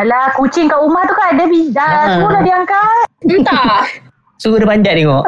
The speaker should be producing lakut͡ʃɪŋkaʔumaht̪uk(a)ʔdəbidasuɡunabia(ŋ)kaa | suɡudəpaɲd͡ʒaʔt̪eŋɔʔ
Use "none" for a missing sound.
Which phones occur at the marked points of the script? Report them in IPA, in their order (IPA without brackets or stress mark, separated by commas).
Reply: a, ŋ